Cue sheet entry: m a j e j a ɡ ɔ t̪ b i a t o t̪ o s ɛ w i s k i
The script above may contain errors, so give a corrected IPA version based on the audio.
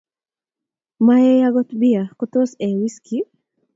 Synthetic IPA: m a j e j a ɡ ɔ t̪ b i a k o t̪ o s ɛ w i s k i